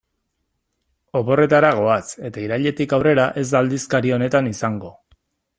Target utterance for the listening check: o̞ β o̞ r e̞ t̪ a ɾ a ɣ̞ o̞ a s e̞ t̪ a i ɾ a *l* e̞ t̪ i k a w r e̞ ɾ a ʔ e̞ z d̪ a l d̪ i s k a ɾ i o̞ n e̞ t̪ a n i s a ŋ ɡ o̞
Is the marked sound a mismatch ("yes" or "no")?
yes